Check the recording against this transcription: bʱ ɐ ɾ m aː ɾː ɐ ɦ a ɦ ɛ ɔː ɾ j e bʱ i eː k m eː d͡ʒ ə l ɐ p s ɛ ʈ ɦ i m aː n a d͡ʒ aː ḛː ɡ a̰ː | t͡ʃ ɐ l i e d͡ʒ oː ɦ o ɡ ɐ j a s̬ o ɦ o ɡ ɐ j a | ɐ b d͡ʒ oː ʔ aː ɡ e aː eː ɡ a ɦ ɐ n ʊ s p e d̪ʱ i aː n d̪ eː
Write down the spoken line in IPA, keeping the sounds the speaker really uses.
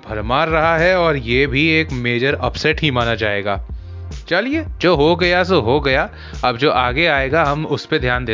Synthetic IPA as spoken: bʱ ɐ ɾ m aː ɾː ɐ ɦ a ɦ ɛ ɔː ɾ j e bʱ i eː k m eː d͡ʒ ə ɾ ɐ p s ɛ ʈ ɦ i m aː n a d͡ʒ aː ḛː ɡ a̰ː | t͡ʃ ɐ l i e d͡ʒ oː ɦ o ɡ ɐ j a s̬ o ɦ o ɡ ɐ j a | ɐ b d͡ʒ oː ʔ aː ɡ e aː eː ɡ a ɦ ɐ m ʊ s p e d̪ʱ j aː n d̪ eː